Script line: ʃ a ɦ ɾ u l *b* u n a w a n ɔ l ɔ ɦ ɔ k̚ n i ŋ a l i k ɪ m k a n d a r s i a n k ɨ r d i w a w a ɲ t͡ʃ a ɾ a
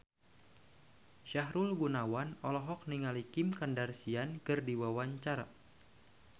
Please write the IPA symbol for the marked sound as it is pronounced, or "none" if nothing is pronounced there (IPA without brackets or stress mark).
ɡ